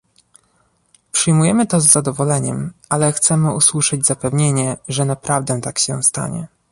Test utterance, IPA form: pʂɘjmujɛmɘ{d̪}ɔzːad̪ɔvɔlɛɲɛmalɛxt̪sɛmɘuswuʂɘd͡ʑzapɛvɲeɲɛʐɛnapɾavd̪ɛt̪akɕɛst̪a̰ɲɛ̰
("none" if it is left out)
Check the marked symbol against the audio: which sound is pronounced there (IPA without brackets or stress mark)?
t̪